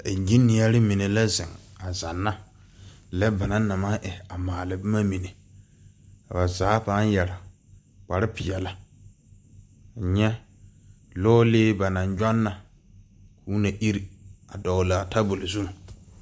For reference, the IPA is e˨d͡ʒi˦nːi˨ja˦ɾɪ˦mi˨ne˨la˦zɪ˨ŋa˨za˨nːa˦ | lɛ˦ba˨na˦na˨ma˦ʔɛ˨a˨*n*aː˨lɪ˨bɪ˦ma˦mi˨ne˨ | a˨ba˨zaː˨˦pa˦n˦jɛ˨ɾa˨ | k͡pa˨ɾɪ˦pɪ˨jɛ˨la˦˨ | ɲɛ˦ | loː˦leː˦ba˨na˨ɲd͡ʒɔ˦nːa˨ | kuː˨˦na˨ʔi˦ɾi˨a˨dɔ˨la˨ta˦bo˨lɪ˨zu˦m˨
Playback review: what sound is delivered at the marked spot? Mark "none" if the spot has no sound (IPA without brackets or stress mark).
m